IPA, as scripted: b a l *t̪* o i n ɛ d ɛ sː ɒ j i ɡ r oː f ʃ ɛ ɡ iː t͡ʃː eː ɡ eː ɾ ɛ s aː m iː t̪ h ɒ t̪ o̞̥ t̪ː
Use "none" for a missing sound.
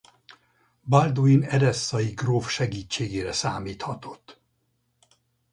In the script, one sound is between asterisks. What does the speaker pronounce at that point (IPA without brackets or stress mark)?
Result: d̪